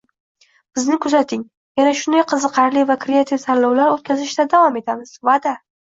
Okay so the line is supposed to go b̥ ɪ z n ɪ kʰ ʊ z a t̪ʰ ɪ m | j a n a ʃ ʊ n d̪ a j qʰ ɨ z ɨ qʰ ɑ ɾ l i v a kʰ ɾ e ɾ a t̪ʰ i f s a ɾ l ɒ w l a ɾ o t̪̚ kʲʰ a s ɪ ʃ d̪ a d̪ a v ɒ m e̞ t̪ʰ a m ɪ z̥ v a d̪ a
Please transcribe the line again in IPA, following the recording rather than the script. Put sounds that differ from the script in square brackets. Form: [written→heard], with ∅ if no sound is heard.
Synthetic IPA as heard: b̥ ɪ z n ɪ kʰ ʊ z a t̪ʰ ɪ [m→ŋ] | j a n a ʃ ʊ n d̪ a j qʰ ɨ z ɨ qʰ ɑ ɾ l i v a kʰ ɾ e [ɾ→∅] a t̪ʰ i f s a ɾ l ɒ w l a ɾ o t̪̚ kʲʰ a [s→z] ɪ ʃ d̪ a d̪ a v ɒ m e̞ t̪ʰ a m ɪ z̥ v a d̪ a